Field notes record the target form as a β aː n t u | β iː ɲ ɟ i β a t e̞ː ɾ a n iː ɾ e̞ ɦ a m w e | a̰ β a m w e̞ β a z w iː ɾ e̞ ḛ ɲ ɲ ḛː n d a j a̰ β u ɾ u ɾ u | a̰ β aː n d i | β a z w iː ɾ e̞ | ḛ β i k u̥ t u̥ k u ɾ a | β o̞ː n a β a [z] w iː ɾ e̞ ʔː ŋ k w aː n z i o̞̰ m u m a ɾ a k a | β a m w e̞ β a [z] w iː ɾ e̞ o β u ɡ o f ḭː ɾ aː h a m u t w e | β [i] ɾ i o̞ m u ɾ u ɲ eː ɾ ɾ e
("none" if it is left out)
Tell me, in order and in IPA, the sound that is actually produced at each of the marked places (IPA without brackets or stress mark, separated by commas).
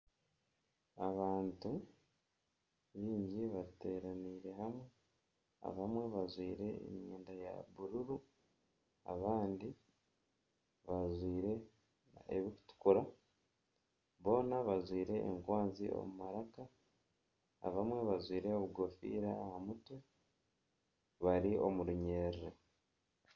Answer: z, z, a